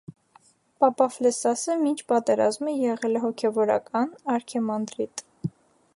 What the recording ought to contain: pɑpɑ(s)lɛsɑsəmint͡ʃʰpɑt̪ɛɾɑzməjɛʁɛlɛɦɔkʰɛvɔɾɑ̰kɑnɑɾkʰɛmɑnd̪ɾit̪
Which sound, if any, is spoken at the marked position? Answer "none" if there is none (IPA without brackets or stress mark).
f